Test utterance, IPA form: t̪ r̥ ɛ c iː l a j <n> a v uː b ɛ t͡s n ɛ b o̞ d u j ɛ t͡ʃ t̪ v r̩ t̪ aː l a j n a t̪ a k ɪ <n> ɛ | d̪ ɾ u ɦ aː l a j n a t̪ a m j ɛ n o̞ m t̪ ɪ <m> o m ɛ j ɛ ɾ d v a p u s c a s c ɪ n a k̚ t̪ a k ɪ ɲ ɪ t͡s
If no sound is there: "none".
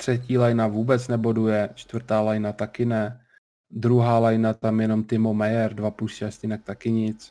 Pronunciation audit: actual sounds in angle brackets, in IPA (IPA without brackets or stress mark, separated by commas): n, n, m